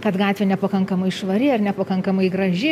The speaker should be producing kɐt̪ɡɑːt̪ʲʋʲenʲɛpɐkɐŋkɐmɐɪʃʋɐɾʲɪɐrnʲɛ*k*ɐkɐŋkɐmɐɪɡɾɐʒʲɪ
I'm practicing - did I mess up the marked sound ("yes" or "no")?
yes